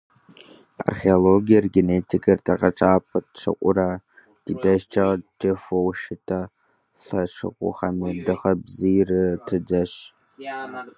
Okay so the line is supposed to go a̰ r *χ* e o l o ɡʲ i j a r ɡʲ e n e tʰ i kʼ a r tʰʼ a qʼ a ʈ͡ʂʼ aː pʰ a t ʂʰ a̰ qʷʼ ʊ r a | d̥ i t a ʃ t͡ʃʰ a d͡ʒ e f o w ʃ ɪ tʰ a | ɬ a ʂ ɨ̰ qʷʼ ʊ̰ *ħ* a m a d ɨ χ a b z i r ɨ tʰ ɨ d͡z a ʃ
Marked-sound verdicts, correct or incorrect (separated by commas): correct, incorrect